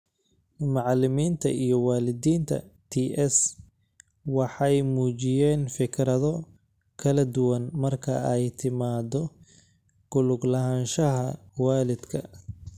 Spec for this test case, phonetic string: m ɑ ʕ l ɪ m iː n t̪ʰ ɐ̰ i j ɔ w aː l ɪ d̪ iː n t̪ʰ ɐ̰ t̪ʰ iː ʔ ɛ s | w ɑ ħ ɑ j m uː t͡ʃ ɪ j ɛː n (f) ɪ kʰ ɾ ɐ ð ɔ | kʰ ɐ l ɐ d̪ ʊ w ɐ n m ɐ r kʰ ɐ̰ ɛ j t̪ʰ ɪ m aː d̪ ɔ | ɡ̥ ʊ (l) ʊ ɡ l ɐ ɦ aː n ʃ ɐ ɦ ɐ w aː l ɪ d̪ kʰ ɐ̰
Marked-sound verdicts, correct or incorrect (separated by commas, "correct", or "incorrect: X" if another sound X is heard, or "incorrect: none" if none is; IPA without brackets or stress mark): correct, correct